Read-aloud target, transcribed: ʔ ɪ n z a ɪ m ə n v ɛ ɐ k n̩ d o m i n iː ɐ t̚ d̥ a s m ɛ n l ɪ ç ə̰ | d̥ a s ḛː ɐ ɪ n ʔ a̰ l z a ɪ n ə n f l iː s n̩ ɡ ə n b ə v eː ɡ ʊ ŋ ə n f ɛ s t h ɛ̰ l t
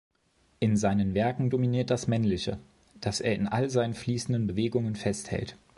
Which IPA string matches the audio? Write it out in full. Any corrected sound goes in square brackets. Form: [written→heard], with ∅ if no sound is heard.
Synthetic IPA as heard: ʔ ɪ n z a ɪ [m→n] ə n v ɛ ɐ k [n̩→ŋ̩] d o m i n iː ɐ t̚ d̥ a s m ɛ n l ɪ ç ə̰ | d̥ a s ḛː ɐ ɪ n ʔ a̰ l z a ɪ n ə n f l iː s n̩ [ɡ→d] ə n b ə v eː ɡ ʊ ŋ ə n f ɛ s t h ɛ̰ l t